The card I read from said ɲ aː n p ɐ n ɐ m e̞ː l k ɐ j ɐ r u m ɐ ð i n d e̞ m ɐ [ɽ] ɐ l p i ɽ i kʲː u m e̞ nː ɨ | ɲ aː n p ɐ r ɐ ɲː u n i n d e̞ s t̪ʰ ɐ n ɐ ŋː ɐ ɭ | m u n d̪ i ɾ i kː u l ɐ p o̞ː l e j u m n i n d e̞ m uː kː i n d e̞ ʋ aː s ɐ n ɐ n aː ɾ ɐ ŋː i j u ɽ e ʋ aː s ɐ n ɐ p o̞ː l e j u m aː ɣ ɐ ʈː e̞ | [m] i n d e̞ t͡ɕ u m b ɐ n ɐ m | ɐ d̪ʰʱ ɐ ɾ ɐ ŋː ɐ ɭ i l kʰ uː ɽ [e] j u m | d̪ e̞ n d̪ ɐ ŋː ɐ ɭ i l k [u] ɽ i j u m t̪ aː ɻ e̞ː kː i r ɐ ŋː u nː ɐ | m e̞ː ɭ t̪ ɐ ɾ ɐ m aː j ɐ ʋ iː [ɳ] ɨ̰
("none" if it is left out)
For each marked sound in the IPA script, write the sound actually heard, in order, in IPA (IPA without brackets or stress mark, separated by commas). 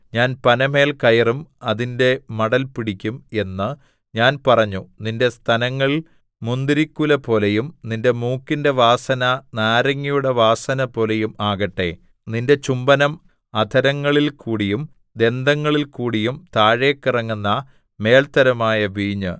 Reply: ɽ, n, i, uː, ɲ